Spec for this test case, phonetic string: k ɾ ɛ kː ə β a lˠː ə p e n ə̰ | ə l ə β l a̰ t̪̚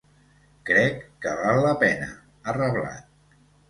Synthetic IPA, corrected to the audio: k ɾ ɛ kː ə β a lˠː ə p ɛ n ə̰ | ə r ə β l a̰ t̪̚